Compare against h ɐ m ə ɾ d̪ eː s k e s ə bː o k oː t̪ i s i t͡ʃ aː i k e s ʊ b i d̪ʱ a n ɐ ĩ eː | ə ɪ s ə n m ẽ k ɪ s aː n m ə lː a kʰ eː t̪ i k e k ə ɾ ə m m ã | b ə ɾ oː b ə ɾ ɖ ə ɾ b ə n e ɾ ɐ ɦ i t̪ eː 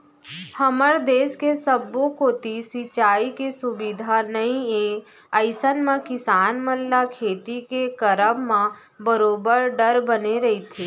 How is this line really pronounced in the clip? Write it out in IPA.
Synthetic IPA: h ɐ m ə ɾ d̪ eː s k e s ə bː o k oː t̪ i s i t͡ʃ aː i k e s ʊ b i d̪ʱ a n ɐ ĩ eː | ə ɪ s ə n m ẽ k ɪ s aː n m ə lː a kʰ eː t̪ i k e k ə ɾ ə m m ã | b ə ɾ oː b ə ɾ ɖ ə ɾ b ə n e ɾ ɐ ɦ i t̪ʰ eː